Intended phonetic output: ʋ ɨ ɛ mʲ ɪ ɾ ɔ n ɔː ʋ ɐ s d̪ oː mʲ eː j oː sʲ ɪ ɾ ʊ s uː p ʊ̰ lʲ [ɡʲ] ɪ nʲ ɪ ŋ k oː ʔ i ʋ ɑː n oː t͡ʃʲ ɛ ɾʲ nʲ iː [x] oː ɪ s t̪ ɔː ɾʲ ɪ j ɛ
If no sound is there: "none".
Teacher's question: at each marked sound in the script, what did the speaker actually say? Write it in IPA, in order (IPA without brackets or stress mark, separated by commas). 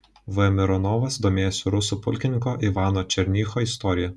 kʲ, x